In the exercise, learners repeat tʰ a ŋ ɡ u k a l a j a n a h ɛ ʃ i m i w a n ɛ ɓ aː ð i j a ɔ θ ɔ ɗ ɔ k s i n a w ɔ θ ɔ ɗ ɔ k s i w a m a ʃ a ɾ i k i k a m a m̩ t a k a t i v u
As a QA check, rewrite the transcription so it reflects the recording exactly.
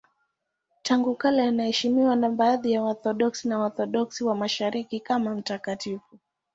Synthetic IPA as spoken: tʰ a ŋ ɡ u k a l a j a n a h ɛ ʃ i m i w a n a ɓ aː ð i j a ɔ θ ɔ ɗ ɔ k s i n a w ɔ θ ɔ ɗ ɔ k s i w a m a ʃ a ɾ i k i k a m a m̩ t a k a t i f u